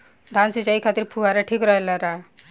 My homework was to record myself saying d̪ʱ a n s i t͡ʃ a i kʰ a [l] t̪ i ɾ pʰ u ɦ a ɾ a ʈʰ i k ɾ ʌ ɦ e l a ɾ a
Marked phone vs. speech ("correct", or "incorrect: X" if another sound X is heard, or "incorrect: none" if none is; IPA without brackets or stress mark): incorrect: none